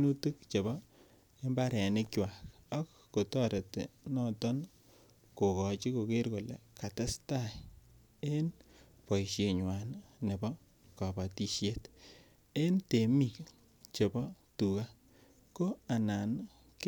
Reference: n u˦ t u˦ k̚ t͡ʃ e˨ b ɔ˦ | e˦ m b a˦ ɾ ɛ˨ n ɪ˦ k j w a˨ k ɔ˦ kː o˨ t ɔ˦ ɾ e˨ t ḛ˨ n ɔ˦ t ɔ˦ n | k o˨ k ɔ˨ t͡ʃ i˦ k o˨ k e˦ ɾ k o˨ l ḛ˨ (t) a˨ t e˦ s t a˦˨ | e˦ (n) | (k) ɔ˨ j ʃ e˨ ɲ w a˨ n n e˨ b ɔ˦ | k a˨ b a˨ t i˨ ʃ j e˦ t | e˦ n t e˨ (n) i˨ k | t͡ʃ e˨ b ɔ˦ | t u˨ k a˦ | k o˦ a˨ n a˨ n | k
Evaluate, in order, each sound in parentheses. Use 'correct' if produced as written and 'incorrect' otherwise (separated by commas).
incorrect, correct, incorrect, incorrect